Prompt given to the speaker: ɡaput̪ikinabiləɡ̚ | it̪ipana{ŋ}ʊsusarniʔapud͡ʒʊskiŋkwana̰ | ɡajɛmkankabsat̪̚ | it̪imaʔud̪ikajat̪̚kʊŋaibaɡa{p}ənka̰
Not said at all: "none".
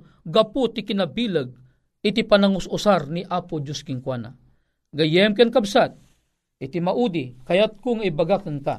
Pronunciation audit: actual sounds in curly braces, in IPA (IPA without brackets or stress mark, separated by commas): ŋ, k